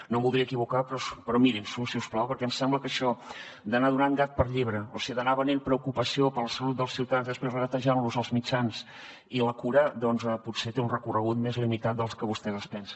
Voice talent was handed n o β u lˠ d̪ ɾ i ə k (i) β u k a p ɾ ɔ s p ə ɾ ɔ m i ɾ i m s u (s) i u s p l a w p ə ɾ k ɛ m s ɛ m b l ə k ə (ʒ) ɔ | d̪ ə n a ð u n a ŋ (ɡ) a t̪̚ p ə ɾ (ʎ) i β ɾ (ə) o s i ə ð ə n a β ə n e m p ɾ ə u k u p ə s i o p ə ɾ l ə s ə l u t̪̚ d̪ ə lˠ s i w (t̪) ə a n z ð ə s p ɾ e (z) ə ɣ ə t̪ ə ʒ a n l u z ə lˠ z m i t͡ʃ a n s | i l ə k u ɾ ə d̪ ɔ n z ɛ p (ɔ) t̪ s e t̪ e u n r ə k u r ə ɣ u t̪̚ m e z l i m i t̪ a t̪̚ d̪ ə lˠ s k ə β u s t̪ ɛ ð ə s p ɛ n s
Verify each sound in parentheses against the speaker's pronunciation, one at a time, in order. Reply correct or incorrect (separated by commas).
correct, correct, incorrect, correct, correct, correct, correct, correct, incorrect